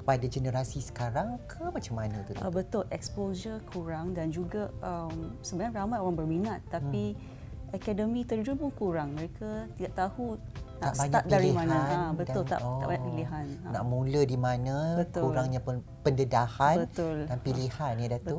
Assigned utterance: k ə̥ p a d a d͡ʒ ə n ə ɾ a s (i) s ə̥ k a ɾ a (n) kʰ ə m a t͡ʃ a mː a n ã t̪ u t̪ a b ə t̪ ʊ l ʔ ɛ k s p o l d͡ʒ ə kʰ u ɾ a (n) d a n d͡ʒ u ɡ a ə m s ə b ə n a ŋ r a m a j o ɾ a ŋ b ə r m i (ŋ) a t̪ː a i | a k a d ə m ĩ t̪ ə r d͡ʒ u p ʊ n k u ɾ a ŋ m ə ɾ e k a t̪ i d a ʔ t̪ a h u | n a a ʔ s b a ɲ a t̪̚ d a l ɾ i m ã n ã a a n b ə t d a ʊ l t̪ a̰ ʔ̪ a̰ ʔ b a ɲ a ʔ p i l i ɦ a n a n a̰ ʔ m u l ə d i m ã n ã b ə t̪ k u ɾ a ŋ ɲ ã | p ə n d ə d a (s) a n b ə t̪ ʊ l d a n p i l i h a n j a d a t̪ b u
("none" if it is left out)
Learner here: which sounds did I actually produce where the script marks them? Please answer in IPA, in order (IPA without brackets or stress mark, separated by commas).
i, ŋ, ŋ, n, h